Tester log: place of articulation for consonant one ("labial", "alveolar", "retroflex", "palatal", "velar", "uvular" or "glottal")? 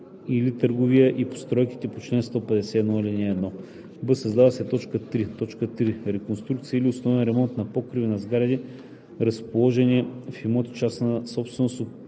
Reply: alveolar